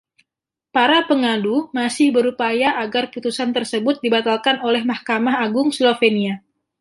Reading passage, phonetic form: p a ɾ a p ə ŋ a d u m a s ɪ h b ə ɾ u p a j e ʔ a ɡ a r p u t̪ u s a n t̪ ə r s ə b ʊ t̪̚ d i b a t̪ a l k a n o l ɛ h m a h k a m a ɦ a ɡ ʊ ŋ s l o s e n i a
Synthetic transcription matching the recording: p a ɾ a p ə ŋ a d u m a s ɪ h b ə ɾ u p a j a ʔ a ɡ a r p u t̪ u s a n t̪ ə r s ə b ʊ t̪̚ d i b a t̪ a l k a n o l ɛ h m a h k a m a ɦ a ɡ ʊ ŋ s l o f e n i a